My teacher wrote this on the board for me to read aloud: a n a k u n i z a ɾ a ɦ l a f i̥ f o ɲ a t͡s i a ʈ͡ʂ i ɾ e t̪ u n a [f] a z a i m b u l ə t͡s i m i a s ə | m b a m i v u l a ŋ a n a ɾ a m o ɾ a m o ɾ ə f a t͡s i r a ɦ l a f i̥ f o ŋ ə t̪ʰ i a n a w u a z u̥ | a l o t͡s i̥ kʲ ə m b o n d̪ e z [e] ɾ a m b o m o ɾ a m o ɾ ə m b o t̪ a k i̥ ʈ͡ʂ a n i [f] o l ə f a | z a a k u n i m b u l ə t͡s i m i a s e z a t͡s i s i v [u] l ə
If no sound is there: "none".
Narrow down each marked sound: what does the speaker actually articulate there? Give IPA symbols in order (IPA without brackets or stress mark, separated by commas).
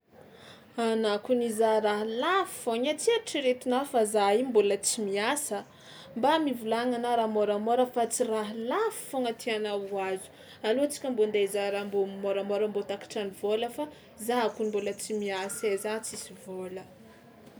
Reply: f, a, v, o